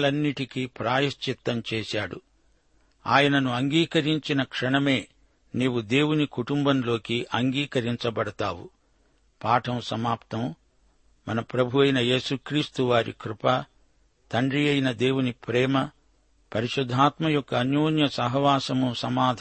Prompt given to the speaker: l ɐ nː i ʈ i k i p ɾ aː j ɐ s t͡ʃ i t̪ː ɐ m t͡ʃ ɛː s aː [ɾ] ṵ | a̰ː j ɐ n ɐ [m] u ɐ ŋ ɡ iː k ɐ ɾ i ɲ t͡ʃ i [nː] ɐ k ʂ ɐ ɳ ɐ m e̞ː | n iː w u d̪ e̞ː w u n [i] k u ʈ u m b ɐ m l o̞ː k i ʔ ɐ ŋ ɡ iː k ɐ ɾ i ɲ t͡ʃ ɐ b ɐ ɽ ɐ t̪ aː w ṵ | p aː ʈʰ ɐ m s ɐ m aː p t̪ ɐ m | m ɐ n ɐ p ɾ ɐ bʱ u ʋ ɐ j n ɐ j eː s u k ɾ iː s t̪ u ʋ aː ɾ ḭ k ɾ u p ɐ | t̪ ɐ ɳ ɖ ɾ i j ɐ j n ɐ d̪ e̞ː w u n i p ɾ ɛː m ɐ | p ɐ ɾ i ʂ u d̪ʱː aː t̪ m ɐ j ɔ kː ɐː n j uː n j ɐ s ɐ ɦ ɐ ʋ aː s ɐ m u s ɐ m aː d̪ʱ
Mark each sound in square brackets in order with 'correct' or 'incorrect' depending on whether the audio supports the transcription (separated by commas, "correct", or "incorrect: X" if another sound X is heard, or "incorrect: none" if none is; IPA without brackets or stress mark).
incorrect: ɽ, incorrect: n, incorrect: n, correct